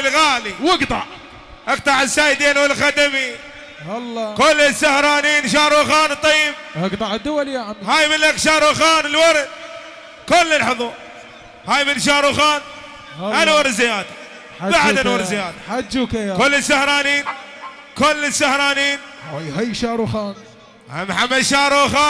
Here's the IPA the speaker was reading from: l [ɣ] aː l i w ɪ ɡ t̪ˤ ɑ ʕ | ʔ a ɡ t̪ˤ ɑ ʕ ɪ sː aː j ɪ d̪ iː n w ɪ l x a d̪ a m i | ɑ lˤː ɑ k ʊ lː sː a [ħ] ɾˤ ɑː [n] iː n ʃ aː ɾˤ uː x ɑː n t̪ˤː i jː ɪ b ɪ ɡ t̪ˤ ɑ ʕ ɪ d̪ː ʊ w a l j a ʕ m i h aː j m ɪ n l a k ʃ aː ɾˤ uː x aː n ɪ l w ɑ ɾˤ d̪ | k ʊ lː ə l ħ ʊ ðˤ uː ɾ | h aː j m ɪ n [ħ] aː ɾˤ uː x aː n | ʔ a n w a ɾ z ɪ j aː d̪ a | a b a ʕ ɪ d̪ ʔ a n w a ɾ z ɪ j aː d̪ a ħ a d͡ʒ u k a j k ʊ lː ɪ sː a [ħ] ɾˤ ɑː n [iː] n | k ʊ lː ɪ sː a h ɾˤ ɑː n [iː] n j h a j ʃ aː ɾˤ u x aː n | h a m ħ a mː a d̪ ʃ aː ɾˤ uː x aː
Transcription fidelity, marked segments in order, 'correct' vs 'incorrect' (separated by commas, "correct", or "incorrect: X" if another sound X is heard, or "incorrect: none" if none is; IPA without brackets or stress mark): correct, incorrect: h, correct, incorrect: ʃ, incorrect: h, correct, correct